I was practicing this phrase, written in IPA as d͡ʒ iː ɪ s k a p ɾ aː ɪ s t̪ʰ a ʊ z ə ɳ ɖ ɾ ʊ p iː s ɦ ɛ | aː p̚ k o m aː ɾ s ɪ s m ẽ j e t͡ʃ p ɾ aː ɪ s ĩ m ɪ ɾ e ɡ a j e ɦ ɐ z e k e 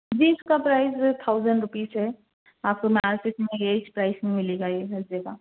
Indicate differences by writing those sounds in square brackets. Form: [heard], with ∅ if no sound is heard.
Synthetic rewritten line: d͡ʒ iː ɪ s k a p ɾ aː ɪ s t̪ʰ a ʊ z ə ɳ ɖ ɾ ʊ p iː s ɦ ɛ | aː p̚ k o m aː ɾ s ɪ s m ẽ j e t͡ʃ p ɾ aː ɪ s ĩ m ɪ [l] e ɡ a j e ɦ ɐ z e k [a]